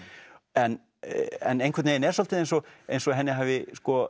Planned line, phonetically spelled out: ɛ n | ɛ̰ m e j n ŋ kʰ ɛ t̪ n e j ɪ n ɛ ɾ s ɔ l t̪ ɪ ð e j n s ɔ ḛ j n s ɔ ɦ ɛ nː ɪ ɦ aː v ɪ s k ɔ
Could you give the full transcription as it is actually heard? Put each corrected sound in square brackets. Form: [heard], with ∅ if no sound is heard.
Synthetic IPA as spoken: ɛ n | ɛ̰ [n] e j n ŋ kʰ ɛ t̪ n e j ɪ n ɛ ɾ s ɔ l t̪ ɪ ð e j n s ɔ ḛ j n s ɔ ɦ ɛ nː ɪ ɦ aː v ɪ s k ɔ